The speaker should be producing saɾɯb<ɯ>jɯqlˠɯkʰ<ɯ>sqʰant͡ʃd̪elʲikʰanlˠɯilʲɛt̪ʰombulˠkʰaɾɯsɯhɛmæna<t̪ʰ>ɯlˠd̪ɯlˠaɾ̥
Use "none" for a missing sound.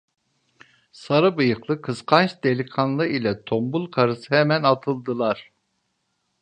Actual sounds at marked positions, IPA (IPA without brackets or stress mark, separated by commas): ɯ, ɯ, t̪ʰ